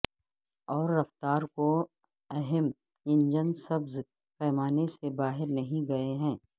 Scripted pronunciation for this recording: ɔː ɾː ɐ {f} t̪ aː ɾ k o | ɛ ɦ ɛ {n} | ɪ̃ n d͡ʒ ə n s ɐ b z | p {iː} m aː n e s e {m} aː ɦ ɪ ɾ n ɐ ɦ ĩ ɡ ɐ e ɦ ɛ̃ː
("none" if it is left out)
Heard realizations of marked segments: f, m, ɛː, b

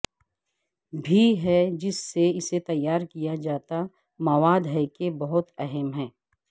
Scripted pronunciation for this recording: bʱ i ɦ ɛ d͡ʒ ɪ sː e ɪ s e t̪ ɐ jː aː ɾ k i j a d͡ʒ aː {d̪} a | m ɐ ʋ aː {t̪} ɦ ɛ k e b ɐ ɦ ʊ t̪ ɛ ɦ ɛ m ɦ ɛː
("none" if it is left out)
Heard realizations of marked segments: t̪, d̪

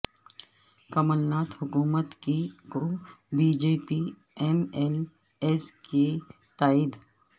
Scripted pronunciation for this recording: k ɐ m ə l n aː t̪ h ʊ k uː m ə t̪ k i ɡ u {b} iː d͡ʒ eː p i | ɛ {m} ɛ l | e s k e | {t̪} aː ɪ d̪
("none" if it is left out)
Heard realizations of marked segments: b, m, t̪

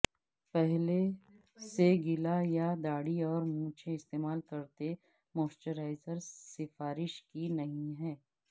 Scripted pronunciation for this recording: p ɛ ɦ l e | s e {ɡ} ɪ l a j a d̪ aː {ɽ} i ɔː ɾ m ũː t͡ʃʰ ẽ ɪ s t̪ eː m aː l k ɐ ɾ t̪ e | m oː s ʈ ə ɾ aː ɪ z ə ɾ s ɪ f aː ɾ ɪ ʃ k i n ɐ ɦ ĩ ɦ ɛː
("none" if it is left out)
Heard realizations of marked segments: ɡ, ɽ

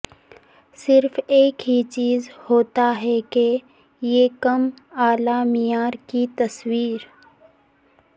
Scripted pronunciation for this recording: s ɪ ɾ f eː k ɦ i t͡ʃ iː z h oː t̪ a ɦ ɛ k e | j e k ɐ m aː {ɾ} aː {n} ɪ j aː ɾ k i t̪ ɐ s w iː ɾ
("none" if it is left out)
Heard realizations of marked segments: l, m

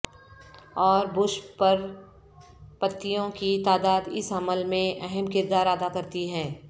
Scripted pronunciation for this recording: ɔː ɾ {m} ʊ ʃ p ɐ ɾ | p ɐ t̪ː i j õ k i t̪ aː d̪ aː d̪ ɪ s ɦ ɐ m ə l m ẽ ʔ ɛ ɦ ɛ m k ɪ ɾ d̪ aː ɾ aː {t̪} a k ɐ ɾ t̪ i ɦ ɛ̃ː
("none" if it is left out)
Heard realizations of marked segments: b, d̪

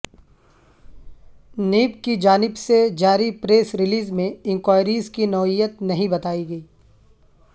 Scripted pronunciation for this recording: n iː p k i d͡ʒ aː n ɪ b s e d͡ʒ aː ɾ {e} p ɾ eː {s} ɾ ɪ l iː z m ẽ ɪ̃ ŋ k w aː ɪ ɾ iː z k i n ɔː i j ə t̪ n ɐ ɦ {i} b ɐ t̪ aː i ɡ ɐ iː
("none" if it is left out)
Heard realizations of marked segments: i, s, ĩ

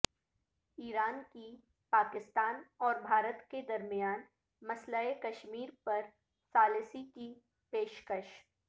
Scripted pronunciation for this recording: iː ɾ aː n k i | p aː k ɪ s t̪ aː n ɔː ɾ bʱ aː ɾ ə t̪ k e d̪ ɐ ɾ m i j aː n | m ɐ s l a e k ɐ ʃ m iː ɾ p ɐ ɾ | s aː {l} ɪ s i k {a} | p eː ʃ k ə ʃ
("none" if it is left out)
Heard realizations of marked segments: l, i

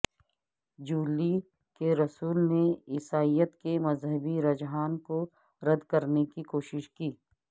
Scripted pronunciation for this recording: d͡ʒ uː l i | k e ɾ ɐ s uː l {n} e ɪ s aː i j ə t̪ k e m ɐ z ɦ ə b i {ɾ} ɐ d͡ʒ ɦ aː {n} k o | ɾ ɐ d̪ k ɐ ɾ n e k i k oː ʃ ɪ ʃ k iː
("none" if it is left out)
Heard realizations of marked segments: n, ɾ, n

